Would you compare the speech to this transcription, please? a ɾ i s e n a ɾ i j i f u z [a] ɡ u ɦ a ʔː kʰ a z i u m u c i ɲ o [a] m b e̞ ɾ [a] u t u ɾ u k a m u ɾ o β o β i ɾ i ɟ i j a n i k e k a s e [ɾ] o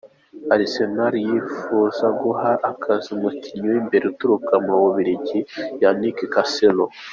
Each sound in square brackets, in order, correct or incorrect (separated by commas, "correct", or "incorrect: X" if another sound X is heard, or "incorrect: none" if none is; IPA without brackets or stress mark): correct, incorrect: i, incorrect: e, incorrect: l